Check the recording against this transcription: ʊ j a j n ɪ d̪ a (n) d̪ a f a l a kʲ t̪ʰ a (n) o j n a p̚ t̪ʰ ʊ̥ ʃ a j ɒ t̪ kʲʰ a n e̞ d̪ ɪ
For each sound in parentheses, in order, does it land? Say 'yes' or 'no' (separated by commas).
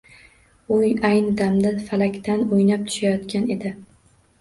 no, yes